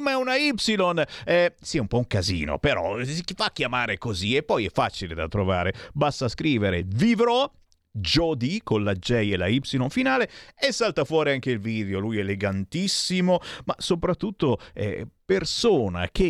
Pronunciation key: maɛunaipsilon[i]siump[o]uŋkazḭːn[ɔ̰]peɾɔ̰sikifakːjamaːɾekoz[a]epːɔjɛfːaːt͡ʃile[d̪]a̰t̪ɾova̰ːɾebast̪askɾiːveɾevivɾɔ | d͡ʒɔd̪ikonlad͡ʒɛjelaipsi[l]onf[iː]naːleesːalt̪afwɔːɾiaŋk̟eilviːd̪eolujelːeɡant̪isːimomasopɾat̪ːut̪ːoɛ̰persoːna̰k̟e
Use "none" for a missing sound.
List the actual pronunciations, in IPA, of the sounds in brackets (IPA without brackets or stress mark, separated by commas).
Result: ɛ, ɔ, o̰, i, d̪, l, i